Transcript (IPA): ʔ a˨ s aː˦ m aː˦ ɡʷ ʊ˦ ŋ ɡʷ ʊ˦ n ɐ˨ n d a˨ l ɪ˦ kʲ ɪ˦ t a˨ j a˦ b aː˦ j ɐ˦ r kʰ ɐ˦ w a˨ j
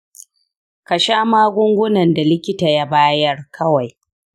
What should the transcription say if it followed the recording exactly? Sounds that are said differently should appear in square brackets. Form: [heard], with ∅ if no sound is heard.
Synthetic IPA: [k] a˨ [ʃ] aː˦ m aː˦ ɡʷ ʊ˦ ŋ ɡʷ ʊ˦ n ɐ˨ n d a˨ l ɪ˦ kʲ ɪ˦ t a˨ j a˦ b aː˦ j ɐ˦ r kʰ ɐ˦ w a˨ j